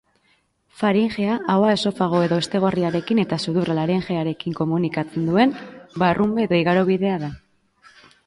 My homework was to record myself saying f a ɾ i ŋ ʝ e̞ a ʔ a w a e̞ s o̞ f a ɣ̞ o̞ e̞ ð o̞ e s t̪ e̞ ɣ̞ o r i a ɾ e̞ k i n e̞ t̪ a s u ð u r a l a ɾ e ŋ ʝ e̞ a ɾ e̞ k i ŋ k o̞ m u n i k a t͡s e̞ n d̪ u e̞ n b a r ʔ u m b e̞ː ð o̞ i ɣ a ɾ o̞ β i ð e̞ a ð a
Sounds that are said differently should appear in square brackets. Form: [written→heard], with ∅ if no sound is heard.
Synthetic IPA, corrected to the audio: f a ɾ i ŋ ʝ e̞ a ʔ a w a e̞ s o̞ f a ɣ̞ o̞ e̞ ð o̞ e s t̪ e̞ ɣ̞ o r i a ɾ e̞ k i n e̞ t̪ a s u ð u r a l a ɾ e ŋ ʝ e̞ a ɾ e̞ k i ŋ k o̞ m u n i k a t͡s e̞ n d̪ u e̞ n b a r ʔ u m b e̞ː ð o̞ i ɣ a ɾ o̞ β i ð e̞ a ð a

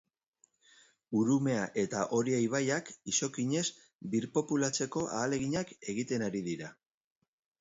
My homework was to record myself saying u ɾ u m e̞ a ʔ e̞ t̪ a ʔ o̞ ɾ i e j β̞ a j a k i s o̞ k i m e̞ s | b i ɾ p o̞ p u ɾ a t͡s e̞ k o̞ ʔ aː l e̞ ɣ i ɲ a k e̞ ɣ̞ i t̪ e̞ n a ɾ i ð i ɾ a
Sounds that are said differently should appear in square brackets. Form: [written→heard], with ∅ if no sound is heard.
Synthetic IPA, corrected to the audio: u ɾ u m e̞ a ʔ e̞ t̪ a ʔ o̞ ɾ i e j β̞ a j a k i s o̞ k i [m→ɲ] e̞ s | b i ɾ p o̞ p u [ɾ→l] a t͡s e̞ k o̞ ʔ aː l e̞ ɣ i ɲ a k e̞ ɣ̞ i t̪ e̞ n a ɾ i ð i ɾ a

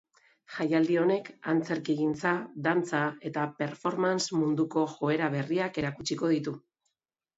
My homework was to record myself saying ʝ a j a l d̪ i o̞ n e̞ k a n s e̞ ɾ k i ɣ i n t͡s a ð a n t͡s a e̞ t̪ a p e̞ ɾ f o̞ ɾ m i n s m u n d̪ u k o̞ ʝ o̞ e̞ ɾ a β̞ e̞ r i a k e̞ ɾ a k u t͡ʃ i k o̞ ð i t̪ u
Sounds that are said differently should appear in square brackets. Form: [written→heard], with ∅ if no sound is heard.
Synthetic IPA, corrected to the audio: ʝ a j a l d̪ i o̞ n e̞ k a n [s→t͡s] e̞ ɾ k i ɣ i n t͡s a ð a n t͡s a e̞ t̪ a p e̞ ɾ f o̞ ɾ m [i→a] n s m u n d̪ u k o̞ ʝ o̞ e̞ ɾ a β̞ e̞ r i a k e̞ ɾ a k u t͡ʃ i k o̞ ð i t̪ u

